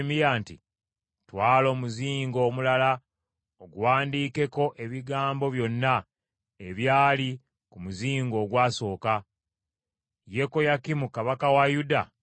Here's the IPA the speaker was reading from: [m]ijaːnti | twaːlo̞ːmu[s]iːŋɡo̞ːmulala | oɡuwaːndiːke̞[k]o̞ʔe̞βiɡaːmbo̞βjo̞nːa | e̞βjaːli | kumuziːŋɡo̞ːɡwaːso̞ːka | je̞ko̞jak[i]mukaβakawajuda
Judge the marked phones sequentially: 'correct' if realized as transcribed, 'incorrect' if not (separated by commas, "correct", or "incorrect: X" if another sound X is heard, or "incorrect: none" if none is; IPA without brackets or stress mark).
correct, incorrect: z, correct, correct